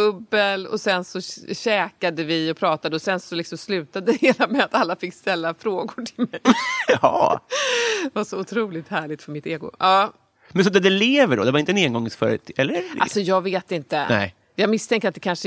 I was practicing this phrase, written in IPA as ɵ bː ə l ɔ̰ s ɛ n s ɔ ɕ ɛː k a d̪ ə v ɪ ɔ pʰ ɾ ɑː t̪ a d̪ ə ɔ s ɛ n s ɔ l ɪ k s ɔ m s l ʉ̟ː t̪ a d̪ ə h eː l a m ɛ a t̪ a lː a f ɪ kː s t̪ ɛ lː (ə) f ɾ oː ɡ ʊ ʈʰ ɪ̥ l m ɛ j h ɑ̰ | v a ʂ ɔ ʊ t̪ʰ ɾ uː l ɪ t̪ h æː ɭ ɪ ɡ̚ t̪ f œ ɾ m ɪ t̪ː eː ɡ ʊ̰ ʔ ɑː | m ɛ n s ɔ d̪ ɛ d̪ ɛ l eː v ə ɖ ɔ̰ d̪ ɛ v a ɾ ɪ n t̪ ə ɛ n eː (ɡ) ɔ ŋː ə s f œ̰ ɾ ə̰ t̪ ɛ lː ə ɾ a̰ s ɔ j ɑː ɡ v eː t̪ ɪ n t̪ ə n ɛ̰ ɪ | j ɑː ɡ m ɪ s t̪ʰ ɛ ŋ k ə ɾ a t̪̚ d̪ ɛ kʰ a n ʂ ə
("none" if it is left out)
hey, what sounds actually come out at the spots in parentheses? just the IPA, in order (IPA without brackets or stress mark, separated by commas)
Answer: a, ɡ